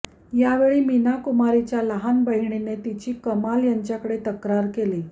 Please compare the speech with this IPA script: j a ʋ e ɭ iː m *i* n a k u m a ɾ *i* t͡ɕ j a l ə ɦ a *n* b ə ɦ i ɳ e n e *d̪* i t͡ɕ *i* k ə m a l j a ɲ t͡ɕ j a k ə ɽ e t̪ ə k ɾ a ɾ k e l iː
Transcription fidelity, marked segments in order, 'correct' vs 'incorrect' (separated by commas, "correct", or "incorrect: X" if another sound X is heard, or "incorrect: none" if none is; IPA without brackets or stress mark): correct, correct, correct, incorrect: t̪, incorrect: iː